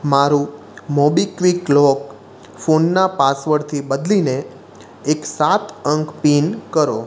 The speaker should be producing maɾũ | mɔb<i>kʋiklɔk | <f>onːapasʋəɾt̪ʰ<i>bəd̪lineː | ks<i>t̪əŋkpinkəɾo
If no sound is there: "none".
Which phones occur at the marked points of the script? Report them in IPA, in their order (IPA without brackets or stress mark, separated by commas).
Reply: i, f, i, a